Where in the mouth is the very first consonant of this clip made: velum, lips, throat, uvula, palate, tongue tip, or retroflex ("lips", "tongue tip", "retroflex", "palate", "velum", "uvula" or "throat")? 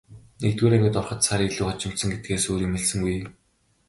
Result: tongue tip